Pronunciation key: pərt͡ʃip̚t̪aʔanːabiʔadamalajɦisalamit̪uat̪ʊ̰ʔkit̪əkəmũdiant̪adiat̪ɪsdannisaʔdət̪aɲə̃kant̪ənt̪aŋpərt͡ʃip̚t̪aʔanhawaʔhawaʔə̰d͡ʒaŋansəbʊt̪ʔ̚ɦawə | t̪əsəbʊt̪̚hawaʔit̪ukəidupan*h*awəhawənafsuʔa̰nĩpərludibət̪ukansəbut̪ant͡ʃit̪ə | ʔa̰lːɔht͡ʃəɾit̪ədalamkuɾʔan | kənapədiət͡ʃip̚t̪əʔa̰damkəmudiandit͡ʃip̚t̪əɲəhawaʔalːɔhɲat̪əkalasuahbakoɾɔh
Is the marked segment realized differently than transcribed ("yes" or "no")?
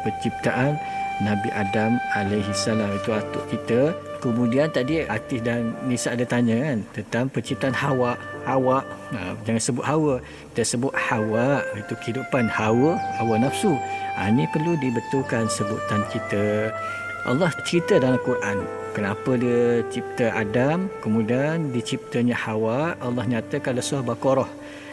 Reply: no